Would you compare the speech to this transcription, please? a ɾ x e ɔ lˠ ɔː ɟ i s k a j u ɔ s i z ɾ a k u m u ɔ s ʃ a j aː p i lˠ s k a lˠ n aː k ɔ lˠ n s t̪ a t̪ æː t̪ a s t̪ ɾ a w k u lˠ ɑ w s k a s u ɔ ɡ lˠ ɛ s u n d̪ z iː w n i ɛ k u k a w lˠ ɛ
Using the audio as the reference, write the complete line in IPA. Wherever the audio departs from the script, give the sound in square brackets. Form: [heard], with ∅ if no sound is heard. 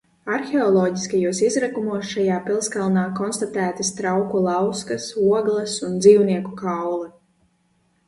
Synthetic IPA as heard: a ɾ x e ɔ lˠ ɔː ɟ i s k a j u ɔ s i z ɾ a k u m u ɔ s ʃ a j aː p i lˠ s k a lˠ n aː k ɔ [∅] n s t̪ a t̪ æː t̪ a s t̪ ɾ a w k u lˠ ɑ w s k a s u ɔ ɡ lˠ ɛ s u n d̪ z iː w n i ɛ k u k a w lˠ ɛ